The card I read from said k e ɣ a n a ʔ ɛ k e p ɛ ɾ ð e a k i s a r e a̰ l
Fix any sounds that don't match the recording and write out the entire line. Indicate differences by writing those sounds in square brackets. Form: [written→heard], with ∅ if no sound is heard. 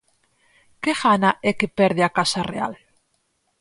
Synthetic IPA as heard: k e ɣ a n a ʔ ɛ k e p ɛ ɾ ð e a k [i→a] s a r e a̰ l